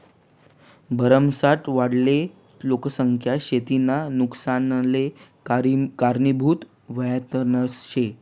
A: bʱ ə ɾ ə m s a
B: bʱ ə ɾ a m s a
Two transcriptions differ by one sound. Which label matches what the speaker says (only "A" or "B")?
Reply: A